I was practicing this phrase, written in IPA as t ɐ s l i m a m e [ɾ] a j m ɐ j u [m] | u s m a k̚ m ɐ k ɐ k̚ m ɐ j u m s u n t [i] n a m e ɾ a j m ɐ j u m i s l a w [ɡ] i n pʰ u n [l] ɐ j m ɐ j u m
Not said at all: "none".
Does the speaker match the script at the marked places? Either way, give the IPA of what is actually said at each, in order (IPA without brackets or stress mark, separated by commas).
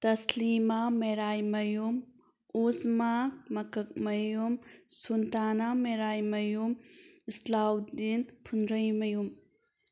ɾ, m, a, d, ɾ